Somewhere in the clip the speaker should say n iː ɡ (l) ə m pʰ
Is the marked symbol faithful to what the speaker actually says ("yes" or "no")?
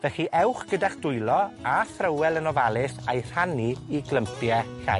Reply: yes